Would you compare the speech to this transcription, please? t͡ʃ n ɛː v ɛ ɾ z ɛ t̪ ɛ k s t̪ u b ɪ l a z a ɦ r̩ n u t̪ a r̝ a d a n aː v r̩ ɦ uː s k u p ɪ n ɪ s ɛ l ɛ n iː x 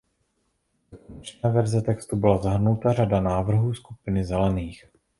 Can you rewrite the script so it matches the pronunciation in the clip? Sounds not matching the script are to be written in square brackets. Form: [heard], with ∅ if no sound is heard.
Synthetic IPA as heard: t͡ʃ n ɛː v ɛ ɾ z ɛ t̪ ɛ k s t̪ u b ɪ l a z a ɦ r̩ n u t̪ a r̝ a d a n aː v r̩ ɦ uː s k u p ɪ n ɪ [z] ɛ l ɛ n iː x